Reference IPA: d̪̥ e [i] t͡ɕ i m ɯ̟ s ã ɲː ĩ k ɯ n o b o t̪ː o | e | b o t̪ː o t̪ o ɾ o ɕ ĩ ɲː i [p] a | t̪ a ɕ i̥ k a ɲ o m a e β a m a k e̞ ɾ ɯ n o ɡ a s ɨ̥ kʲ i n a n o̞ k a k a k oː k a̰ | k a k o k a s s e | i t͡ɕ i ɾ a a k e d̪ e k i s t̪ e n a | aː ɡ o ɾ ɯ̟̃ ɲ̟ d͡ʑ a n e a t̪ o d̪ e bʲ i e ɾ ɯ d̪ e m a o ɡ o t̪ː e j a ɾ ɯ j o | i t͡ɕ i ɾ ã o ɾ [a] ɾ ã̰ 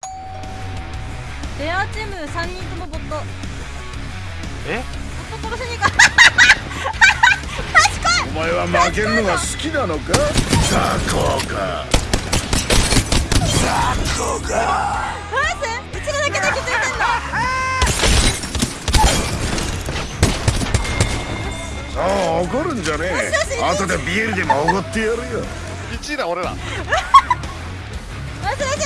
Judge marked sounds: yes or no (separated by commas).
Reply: no, no, no